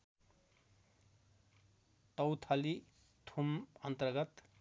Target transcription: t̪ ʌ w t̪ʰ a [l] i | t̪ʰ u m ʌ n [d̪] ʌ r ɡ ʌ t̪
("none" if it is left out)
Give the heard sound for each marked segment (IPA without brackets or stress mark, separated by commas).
l, t̪